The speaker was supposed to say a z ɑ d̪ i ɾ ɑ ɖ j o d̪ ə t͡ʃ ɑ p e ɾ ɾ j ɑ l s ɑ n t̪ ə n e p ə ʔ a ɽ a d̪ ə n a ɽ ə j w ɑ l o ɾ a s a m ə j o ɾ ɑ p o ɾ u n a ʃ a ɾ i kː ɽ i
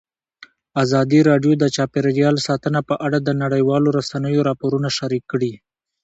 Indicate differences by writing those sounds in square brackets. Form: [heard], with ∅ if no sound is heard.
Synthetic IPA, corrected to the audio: a z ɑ d̪ i ɾ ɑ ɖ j o d̪ ə t͡ʃ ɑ p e ɾ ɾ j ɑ l s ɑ [∅] t̪ ə n [a] p ə ʔ a ɽ a d̪ ə n a ɽ ə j w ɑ l o ɾ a s a [n] ə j o ɾ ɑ p o ɾ u n a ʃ a ɾ i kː ɽ i